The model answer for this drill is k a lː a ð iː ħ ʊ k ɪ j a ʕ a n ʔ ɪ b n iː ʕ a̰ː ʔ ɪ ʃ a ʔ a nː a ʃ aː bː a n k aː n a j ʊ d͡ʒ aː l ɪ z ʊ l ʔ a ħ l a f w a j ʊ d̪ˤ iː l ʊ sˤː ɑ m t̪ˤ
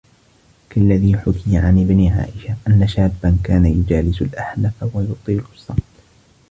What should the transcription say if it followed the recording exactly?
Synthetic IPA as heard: k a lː a ð iː ħ ʊ k ɪ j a ʕ a n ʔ ɪ b n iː ʕ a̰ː ʔ ɪ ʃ a ʔ a nː a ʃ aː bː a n k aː n a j ʊ d͡ʒ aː l ɪ s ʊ l ʔ a ħ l a f w a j ʊ t̪ˤ iː l ʊ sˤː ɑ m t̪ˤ